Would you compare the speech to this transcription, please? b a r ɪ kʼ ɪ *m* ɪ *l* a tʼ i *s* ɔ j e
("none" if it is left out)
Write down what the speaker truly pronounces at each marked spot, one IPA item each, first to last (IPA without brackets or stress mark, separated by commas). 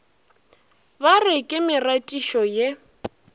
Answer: m, r, ʃ